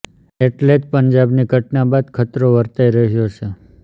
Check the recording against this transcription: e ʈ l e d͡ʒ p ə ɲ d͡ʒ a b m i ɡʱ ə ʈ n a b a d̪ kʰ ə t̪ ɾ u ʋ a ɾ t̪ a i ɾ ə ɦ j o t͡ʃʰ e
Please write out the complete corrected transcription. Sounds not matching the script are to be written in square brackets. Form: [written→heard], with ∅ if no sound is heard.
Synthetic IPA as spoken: e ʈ l e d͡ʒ p ə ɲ d͡ʒ a b [m→n] i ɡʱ ə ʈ n a b a d̪ kʰ ə t̪ ɾ [u→o] ʋ [a→ə] ɾ t̪ a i ɾ ə ɦ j o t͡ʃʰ e

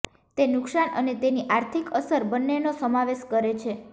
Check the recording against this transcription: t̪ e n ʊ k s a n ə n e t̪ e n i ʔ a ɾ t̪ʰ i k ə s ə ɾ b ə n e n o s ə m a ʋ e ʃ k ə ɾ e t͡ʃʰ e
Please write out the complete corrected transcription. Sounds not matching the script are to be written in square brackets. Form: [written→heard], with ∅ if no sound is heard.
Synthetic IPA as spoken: t̪ e n ʊ k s a n ə n e t̪ e n i ʔ a ɾ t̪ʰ i k ə s ə ɾ b ə [n→nː] e n o s ə m a ʋ e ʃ k ə ɾ e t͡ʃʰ e

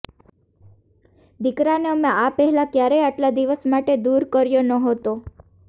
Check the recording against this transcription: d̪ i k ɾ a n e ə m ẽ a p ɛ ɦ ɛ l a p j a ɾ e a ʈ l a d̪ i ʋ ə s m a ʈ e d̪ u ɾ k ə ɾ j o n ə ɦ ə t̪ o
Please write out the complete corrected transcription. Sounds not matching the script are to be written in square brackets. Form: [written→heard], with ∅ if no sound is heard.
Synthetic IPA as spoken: d̪ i k ɾ a n e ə m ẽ a p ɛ ɦ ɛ l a [p→k] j a ɾ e a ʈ l a d̪ i ʋ ə s m a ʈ e d̪ u ɾ k ə ɾ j o n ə ɦ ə t̪ o

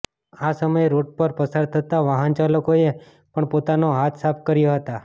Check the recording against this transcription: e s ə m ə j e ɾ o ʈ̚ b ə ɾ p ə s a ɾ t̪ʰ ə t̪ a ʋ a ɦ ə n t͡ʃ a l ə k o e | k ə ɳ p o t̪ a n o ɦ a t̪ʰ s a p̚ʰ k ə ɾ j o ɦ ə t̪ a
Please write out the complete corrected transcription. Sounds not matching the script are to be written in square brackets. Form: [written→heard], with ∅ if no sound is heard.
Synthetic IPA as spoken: [e→a] s ə m ə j e ɾ o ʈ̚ [b→p] ə ɾ p ə s a ɾ t̪ʰ ə t̪ a ʋ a ɦ ə n t͡ʃ a l ə k o e | [k→p] ə ɳ p o t̪ a n o ɦ a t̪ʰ s a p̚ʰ k ə ɾ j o ɦ ə t̪ a

